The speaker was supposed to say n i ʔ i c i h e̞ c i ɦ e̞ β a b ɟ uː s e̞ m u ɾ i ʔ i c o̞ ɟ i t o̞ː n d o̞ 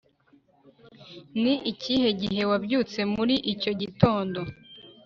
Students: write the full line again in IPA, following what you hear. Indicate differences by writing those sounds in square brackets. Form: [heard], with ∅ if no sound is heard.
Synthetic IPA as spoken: n i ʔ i c i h e̞ [ɟ] i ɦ e̞ [w] a b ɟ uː [t͡s] e̞ m u ɾ i ʔ i c o̞ ɟ i t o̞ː n d o̞